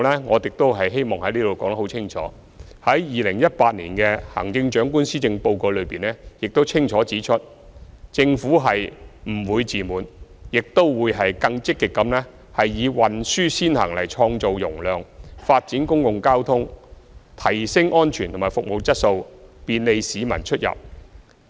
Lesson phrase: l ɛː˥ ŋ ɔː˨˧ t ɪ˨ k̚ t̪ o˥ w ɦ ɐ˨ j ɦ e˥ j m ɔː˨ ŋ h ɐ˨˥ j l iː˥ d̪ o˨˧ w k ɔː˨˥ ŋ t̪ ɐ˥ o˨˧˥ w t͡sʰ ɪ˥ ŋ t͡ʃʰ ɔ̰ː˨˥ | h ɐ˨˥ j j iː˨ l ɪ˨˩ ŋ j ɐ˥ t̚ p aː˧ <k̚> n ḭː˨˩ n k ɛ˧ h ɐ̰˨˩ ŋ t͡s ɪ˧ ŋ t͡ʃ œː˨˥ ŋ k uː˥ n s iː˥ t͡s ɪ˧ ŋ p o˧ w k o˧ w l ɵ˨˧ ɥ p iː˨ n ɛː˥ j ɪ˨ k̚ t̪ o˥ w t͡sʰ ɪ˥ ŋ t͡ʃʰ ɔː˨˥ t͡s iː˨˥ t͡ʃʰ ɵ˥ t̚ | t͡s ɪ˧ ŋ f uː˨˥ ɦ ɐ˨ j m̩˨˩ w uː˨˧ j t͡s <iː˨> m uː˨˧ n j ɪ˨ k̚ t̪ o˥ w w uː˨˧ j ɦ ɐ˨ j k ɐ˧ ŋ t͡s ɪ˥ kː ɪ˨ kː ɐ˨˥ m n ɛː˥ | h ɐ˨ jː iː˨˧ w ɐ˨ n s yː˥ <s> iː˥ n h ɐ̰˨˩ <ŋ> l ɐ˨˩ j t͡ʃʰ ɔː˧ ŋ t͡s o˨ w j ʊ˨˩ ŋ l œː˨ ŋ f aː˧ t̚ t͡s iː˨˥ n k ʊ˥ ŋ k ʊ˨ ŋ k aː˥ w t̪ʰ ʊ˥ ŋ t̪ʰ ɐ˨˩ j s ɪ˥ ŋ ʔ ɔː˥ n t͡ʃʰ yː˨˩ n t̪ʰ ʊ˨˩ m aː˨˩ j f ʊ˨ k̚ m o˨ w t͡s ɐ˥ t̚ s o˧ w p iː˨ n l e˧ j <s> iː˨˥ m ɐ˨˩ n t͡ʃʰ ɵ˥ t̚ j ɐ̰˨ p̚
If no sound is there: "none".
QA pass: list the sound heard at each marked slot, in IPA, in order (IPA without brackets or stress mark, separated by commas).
t̚, iː˨, s, ŋ, s